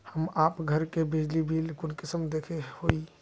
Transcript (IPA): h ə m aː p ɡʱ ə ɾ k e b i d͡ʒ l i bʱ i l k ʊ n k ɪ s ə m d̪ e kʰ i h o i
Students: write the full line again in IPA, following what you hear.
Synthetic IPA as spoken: h ə m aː p ɡʱ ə ɾ k e b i d͡ʒ l i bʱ i l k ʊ n k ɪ s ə m d̪ e kʰ e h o i